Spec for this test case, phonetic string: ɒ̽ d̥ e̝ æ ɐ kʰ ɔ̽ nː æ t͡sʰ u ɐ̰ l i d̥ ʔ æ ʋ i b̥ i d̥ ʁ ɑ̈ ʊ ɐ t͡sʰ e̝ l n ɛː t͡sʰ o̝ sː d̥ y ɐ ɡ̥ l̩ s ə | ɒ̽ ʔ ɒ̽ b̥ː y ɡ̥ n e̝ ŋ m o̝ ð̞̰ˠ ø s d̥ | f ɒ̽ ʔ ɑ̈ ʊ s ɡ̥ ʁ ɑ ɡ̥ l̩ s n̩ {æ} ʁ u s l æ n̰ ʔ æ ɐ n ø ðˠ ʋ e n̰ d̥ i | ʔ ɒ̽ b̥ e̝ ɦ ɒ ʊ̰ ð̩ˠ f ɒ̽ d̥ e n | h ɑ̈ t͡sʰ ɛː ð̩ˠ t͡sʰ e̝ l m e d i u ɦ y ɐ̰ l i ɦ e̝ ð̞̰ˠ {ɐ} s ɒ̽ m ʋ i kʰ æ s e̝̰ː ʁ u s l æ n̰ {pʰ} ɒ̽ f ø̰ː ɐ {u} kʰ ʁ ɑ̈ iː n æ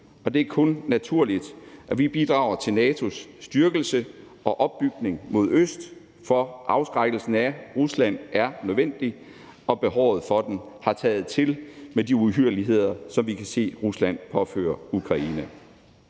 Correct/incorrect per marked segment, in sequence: correct, correct, correct, correct

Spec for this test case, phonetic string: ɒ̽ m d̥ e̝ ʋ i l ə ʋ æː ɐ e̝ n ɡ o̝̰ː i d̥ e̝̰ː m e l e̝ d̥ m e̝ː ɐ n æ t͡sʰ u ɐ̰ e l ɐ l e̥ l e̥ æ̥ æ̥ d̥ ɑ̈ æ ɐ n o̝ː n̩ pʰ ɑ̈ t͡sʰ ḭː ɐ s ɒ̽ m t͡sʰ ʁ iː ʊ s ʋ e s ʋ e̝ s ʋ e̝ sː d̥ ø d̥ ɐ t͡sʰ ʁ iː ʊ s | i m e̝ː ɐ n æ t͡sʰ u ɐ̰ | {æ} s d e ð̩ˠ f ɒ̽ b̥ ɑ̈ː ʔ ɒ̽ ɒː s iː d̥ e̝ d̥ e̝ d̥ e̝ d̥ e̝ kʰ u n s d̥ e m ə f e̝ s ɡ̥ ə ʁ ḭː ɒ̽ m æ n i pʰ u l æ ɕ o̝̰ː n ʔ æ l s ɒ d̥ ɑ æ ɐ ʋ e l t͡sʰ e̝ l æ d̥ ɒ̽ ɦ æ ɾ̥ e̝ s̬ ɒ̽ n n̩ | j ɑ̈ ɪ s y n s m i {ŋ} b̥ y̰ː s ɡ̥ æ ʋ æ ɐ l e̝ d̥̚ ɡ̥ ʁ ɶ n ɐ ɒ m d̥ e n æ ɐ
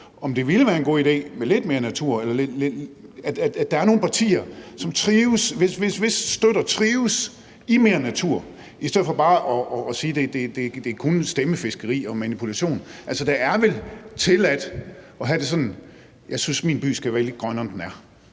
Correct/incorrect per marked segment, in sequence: incorrect, incorrect

